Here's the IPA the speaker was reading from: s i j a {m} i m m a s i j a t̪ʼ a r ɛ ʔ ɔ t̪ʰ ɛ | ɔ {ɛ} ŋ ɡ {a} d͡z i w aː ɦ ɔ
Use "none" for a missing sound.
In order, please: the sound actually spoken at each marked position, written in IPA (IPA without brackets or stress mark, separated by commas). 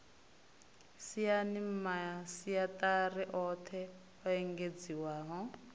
n, ɛ, e